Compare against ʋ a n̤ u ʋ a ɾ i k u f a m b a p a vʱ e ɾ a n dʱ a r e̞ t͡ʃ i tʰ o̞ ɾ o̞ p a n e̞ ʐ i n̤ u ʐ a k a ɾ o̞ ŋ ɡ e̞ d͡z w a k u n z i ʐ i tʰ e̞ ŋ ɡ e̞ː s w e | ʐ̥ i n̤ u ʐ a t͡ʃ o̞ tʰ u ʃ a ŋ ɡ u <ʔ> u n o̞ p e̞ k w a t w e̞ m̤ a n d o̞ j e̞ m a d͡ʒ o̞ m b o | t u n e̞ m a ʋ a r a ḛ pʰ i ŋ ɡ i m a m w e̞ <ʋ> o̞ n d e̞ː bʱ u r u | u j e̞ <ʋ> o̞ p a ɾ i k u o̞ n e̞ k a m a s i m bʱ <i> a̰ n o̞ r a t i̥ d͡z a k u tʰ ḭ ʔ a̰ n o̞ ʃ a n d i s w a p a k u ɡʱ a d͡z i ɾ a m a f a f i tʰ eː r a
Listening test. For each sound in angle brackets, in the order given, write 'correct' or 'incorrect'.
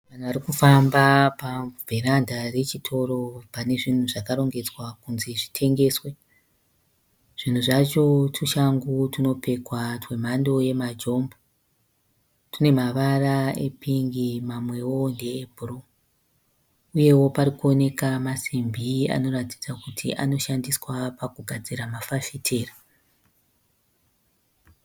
incorrect, incorrect, incorrect, correct

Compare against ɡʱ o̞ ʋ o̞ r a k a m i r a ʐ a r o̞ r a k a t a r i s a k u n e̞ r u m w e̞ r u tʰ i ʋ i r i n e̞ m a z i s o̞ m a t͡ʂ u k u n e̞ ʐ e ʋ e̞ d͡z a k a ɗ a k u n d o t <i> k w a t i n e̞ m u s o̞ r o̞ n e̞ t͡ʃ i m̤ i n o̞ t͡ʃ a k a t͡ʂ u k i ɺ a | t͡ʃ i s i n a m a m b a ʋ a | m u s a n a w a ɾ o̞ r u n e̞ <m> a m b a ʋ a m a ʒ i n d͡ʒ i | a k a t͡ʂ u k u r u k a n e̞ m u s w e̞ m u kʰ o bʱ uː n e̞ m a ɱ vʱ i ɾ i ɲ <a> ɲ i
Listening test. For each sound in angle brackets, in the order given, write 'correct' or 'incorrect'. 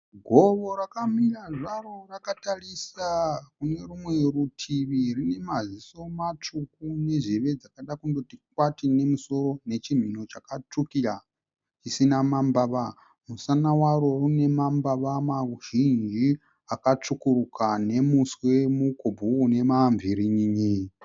correct, correct, incorrect

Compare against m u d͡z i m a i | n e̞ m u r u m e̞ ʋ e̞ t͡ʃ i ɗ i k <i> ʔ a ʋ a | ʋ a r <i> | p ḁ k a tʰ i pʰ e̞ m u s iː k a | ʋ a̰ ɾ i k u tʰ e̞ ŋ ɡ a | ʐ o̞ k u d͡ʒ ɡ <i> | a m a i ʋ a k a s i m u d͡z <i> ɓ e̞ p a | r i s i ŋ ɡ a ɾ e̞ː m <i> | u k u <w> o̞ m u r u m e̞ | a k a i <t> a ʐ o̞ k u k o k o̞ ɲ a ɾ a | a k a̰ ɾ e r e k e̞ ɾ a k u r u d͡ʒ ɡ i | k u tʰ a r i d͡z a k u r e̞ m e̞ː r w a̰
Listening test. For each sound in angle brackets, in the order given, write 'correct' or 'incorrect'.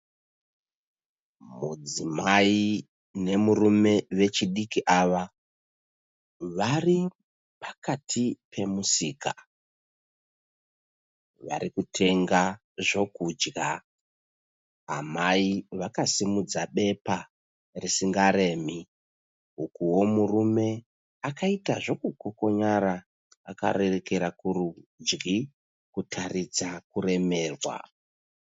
correct, correct, incorrect, incorrect, correct, correct, correct

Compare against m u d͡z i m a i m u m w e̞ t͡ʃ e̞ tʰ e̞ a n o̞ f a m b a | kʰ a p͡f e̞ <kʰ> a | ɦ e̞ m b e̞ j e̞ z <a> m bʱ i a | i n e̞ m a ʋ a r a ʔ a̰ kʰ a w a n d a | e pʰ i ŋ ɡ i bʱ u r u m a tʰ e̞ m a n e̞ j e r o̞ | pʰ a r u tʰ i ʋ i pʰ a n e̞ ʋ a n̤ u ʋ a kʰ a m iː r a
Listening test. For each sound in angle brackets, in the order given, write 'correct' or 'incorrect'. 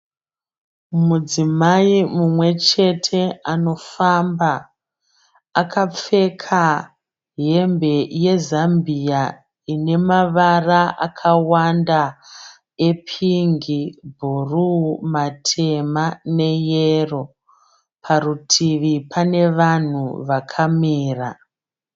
correct, correct

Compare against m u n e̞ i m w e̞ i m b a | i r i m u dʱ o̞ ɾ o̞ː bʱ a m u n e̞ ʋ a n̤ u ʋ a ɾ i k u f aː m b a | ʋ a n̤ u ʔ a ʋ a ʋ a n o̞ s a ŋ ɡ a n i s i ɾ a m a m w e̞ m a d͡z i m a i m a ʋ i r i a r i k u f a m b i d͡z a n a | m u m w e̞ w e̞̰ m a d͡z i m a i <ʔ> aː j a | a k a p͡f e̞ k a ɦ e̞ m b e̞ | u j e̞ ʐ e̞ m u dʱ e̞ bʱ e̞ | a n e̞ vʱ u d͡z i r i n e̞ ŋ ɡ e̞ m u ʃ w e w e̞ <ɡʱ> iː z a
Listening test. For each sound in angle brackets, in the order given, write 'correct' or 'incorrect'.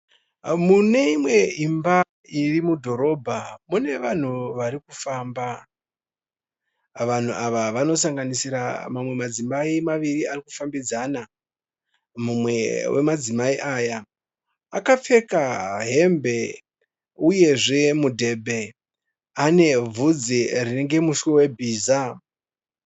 correct, incorrect

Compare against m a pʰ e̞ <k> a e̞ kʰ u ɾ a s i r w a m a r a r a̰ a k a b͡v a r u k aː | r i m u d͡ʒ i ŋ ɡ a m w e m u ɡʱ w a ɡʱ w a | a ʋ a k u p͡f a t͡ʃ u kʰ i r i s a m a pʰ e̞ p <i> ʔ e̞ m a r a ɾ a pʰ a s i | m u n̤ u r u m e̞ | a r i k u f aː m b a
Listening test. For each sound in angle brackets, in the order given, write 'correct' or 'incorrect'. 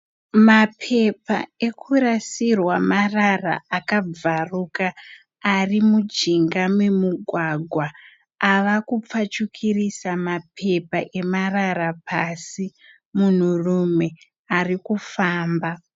incorrect, incorrect

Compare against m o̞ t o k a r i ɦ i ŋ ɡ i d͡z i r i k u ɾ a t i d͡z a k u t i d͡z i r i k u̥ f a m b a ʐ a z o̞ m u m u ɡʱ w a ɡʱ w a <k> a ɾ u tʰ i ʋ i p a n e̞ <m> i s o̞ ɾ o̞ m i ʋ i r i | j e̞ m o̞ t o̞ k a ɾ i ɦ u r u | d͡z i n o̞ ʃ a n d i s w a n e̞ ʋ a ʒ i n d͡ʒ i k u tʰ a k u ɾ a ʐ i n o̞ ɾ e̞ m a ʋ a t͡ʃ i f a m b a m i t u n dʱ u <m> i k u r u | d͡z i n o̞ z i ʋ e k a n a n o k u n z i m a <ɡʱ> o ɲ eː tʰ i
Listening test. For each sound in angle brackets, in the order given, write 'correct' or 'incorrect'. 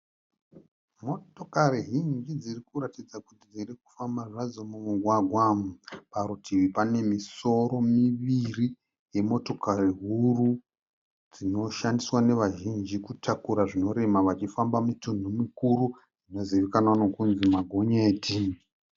incorrect, correct, correct, correct

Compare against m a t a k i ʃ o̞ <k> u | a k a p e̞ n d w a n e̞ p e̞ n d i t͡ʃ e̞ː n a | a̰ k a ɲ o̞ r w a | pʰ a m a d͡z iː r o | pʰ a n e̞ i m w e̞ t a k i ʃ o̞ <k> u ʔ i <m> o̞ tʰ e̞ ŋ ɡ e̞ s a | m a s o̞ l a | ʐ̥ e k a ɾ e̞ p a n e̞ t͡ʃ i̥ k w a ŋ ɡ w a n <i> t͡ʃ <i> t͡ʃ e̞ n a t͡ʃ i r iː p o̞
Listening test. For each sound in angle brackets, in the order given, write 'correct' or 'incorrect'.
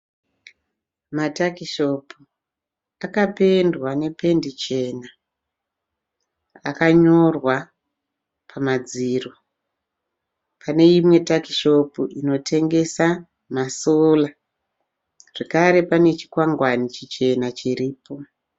incorrect, incorrect, incorrect, correct, correct

